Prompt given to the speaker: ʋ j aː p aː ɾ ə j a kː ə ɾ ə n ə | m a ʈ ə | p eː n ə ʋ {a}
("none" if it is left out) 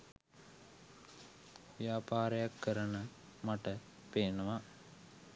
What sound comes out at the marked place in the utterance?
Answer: a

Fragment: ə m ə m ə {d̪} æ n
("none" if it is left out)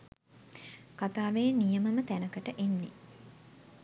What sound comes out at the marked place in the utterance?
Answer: t̪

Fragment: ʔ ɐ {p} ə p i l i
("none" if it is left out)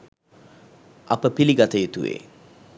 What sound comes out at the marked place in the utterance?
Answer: p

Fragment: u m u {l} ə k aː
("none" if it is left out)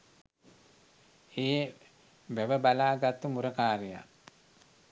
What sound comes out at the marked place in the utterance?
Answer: ɾ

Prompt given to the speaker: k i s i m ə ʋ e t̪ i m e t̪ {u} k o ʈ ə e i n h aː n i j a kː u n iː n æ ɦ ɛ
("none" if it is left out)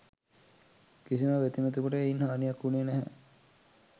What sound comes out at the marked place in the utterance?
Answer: u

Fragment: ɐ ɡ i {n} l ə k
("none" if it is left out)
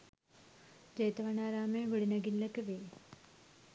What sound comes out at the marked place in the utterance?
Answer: n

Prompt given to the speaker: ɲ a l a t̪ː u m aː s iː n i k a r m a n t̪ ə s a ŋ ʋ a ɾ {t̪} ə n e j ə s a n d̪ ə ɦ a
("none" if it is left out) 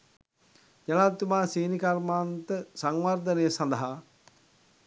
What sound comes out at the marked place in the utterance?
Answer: d̪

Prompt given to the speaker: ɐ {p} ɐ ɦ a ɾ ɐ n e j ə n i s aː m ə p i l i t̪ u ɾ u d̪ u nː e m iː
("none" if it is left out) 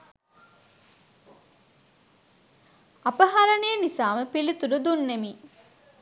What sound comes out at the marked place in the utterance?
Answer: p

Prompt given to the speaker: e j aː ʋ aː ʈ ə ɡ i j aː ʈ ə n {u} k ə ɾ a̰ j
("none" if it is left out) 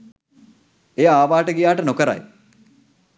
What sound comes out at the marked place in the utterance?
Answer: o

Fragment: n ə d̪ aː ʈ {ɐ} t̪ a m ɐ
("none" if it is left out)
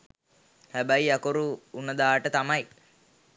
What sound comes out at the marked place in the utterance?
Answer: ə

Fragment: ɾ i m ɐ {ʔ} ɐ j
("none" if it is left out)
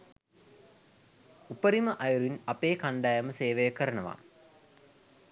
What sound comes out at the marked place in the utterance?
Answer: ʔ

